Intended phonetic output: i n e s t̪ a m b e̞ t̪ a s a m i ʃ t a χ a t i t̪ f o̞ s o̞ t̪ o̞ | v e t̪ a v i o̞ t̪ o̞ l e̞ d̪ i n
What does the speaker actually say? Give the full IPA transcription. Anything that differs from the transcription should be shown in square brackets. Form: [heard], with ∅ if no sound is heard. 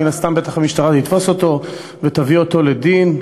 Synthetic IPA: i n [a] s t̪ a m b e̞ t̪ a [χ] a m i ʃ t a [ʁ] a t i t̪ f o̞ s o̞ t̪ o̞ | v e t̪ a v i o̞ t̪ o̞ l e̞ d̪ i n